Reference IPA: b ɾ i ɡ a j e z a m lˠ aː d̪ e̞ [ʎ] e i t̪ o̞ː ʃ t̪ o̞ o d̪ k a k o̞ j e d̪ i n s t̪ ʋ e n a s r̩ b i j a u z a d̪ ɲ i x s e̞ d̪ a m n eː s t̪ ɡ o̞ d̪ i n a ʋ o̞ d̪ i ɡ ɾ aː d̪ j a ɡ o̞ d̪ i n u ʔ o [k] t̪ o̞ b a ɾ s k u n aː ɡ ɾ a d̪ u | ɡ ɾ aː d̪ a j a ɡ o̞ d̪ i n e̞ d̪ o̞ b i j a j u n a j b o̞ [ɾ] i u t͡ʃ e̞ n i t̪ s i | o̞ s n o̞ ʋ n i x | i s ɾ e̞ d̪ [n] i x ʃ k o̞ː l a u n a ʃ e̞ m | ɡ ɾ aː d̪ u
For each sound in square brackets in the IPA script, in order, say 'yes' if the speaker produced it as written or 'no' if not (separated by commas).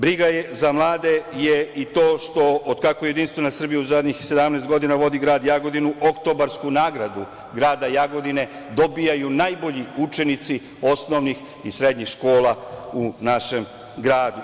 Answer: no, yes, no, no